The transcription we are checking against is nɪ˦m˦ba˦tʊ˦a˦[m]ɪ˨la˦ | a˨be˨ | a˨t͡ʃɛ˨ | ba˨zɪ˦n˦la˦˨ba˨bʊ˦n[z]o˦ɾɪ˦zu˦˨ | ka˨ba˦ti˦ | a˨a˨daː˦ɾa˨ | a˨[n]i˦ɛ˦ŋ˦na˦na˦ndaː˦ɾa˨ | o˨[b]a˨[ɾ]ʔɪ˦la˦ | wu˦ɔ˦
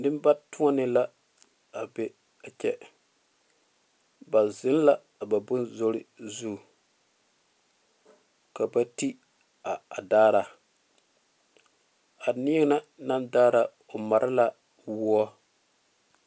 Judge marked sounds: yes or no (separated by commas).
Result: no, yes, yes, no, yes